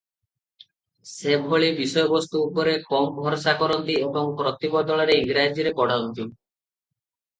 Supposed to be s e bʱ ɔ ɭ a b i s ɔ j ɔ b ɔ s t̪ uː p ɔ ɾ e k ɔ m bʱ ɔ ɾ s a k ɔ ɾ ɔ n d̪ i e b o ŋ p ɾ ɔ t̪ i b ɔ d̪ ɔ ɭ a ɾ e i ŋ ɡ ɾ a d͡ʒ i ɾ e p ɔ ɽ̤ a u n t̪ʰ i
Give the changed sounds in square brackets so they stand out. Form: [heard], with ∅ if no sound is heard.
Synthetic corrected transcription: s e bʱ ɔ ɭ [i] b i s ɔ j ɔ b ɔ s t̪ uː p ɔ ɾ e k ɔ m bʱ ɔ ɾ s a k ɔ ɾ ɔ n [t̪] i e b [ɔ] ŋ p ɾ ɔ t̪ i b ɔ d̪ ɔ ɭ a ɾ e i ŋ ɡ ɾ a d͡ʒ i ɾ e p ɔ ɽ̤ a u n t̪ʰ i

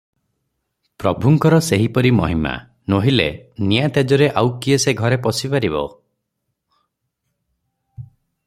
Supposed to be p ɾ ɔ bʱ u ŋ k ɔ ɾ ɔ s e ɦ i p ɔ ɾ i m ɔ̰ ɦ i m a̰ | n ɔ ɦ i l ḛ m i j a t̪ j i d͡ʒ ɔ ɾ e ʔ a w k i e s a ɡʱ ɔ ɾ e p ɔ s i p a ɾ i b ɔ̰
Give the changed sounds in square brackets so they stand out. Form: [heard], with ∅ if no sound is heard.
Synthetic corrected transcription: p ɾ ɔ bʱ u ŋ k ɔ ɾ ɔ s e ɦ i p ɔ ɾ i m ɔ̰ ɦ i m a̰ | n [o] ɦ i l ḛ [n] i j a t̪ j [a] d͡ʒ ɔ ɾ e ʔ a w k i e s [e] ɡʱ ɔ ɾ e p ɔ s i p a ɾ i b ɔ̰

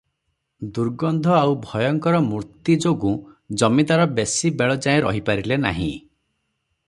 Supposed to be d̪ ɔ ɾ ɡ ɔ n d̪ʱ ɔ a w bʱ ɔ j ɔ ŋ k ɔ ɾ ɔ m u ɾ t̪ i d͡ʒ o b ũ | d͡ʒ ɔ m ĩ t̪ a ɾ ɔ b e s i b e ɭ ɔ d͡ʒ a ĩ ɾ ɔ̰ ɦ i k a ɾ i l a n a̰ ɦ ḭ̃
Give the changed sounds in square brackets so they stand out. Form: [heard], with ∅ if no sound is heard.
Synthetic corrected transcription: d̪ [u] ɾ ɡ ɔ n d̪ʱ ɔ a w bʱ ɔ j ɔ ŋ k ɔ ɾ ɔ m u ɾ t̪ i d͡ʒ o [ɡ] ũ | d͡ʒ ɔ m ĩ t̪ a ɾ ɔ b e s i b e ɭ ɔ d͡ʒ a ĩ ɾ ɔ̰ ɦ i [p] a ɾ i l [e] n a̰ ɦ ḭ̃

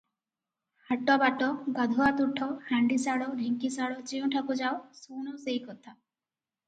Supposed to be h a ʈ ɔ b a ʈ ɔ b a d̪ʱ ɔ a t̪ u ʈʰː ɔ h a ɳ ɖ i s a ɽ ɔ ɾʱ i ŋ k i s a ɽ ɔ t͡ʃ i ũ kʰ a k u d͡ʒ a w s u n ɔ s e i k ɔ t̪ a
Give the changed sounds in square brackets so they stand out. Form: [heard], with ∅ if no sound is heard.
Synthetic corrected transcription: h a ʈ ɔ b a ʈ ɔ [ɡ] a d̪ʱ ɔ a t̪ u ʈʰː ɔ h a ɳ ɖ i s a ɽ ɔ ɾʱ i ŋ k i s a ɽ ɔ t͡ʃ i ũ [ʈʰ] a k u d͡ʒ a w s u n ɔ s e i k ɔ [t̪ʰ] a

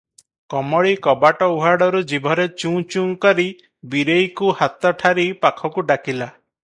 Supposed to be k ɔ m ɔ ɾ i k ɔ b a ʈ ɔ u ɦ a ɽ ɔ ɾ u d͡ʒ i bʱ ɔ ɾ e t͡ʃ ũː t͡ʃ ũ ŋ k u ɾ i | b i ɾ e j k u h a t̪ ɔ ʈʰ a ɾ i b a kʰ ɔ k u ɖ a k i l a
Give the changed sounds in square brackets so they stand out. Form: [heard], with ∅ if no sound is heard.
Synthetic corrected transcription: k ɔ m ɔ [ɭ] i k ɔ b a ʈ ɔ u ɦ a ɽ ɔ ɾ u d͡ʒ i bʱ ɔ ɾ e t͡ʃ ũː t͡ʃ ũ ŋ k [ɔ] ɾ i | b i ɾ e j k u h a t̪ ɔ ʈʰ a ɾ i [p] a kʰ ɔ k u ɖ a k i l a

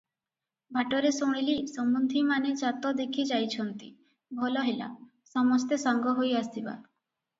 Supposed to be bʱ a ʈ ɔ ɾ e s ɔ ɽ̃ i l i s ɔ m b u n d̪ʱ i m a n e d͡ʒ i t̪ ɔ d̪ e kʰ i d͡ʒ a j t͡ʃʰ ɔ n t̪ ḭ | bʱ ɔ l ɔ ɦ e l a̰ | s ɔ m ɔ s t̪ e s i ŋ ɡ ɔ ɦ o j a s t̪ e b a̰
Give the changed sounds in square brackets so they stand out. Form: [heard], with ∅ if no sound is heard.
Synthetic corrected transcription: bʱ a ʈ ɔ ɾ e s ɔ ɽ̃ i l i s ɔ m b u n d̪ʱ i m a n e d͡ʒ [a] t̪ ɔ d̪ e kʰ i d͡ʒ a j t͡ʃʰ ɔ n t̪ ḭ | bʱ ɔ l ɔ ɦ e l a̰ | s ɔ m ɔ s t̪ e s [a] ŋ ɡ ɔ ɦ o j a s t̪ [i] b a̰

